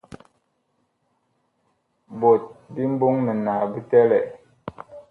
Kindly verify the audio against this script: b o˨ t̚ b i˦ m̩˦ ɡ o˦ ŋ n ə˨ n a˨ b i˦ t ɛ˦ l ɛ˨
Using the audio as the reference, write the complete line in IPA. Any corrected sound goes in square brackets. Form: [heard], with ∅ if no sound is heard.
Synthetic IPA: b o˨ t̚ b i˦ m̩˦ [b] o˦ ŋ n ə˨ n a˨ b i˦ t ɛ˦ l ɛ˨